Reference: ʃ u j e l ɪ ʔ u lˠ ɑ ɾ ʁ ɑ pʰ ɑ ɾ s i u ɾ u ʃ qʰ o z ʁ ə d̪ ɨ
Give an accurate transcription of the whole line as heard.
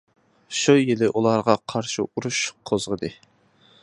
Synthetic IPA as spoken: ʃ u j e l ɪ ʔ u lˠ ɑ ɾ ʁ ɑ qʰ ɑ ɾ ʃ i u ɾ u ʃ qʰ o z ʁ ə d̪ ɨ